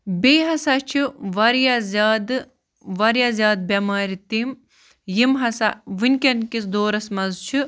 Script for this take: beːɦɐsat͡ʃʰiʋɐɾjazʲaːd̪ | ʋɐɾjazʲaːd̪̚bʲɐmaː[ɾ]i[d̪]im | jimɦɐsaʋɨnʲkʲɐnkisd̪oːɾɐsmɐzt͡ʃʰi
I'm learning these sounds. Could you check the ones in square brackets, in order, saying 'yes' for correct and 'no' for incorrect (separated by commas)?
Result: yes, no